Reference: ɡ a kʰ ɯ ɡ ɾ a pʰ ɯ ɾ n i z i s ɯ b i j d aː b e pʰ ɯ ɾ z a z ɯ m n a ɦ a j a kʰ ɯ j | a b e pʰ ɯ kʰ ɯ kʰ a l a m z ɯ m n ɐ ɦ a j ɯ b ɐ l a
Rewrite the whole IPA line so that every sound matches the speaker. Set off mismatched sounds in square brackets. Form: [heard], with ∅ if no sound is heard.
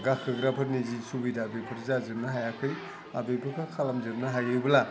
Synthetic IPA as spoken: ɡ a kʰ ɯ ɡ ɾ a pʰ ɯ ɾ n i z i s [u] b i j d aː b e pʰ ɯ ɾ z a z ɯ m n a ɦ a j a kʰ ɯ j | a b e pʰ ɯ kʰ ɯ kʰ a l a m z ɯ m n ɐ ɦ a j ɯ b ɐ l a